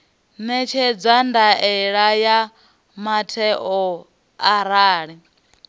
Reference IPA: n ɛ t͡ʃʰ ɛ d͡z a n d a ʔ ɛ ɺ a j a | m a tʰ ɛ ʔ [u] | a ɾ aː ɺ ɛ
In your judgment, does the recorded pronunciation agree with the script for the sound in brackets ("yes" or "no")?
no